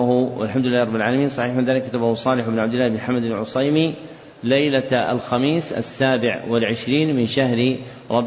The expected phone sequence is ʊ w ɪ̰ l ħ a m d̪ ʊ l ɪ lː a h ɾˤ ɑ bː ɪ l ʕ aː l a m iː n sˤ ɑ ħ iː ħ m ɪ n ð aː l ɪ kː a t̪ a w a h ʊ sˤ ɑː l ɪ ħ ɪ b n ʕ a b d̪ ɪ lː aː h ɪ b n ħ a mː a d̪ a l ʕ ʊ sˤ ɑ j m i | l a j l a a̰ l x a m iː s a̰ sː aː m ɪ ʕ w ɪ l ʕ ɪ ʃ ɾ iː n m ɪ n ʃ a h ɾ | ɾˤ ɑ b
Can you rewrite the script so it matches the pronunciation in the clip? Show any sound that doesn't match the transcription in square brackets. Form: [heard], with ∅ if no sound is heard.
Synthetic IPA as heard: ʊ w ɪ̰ l ħ a m d̪ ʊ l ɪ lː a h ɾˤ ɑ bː ɪ l ʕ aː l a m iː n sˤ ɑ ħ iː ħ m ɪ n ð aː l ɪ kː a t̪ a [b] a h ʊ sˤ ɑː l ɪ ħ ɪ b n ʕ a b d̪ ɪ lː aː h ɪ b n ħ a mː a d̪ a l ʕ ʊ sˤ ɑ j m i | l a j l a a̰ l x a m iː s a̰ sː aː [b] ɪ ʕ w ɪ l ʕ ɪ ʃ ɾ iː n m ɪ n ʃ a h ɾ | ɾˤ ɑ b